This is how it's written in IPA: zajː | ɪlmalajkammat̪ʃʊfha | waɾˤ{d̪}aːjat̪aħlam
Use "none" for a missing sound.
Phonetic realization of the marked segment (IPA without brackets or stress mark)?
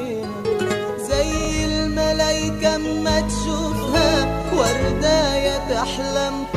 d̪